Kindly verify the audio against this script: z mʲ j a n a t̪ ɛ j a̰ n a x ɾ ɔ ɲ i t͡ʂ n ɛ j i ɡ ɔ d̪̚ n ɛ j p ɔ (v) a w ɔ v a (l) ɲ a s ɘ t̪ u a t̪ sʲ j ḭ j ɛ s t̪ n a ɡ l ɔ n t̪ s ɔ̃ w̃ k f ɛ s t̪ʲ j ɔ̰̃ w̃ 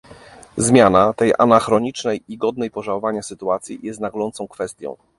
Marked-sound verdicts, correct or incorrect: incorrect: ʐ, incorrect: none

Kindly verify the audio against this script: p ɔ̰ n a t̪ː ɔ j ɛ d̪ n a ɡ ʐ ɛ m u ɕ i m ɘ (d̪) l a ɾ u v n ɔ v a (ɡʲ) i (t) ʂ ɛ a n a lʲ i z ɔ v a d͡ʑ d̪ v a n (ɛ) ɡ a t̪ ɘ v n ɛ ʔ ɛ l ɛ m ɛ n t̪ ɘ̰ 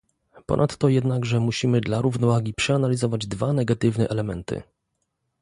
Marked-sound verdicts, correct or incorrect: correct, correct, incorrect: p, correct

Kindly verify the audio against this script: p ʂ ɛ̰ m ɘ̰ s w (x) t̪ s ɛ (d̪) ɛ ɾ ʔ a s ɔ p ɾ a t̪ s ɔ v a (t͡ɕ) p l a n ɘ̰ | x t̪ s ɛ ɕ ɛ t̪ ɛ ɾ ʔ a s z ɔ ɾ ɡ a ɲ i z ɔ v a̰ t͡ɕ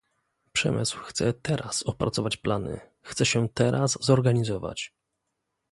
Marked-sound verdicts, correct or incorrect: correct, incorrect: t̪, correct

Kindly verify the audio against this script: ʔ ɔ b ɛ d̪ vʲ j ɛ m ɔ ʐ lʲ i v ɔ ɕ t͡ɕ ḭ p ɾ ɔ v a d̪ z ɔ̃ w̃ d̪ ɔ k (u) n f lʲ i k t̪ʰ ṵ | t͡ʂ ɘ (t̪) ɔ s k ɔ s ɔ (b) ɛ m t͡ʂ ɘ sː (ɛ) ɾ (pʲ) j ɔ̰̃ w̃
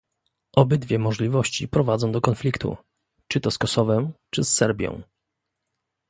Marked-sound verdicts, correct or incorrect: incorrect: ɔ, correct, incorrect: v, correct, incorrect: bʲ

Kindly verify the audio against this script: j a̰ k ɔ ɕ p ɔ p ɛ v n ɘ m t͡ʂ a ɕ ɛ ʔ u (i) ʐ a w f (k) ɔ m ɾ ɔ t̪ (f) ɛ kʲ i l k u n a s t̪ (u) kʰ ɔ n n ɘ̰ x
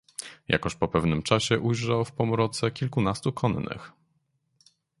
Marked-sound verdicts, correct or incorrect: incorrect: j, incorrect: p, incorrect: s, correct

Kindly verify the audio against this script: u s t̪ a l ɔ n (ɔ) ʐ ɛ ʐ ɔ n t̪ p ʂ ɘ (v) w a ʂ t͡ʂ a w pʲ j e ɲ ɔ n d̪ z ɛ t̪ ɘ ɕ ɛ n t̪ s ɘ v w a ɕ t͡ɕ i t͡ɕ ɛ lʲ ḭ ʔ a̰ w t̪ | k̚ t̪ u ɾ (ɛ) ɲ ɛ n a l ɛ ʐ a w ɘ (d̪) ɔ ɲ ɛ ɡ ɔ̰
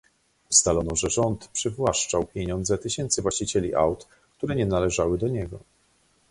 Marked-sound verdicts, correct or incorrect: correct, correct, correct, correct

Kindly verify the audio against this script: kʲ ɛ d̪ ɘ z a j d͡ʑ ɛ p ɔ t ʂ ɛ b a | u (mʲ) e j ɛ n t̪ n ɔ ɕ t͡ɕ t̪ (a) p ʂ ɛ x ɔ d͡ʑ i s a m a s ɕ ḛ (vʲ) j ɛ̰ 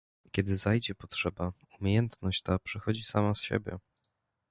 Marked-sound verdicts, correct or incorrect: correct, correct, incorrect: bʲ

